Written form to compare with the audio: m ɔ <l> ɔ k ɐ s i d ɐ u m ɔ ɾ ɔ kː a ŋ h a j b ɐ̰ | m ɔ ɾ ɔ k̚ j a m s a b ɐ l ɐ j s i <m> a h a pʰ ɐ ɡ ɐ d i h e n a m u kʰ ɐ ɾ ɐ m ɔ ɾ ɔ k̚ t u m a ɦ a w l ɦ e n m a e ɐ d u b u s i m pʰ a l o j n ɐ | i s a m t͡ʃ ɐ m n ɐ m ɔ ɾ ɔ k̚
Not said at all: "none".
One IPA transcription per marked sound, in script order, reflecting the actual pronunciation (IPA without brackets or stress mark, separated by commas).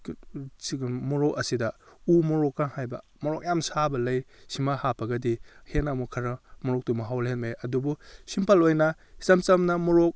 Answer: ɾ, m